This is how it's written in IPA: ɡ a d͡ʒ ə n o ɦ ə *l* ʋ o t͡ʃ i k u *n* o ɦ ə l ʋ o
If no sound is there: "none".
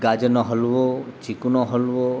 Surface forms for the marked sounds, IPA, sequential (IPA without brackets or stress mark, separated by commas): l, n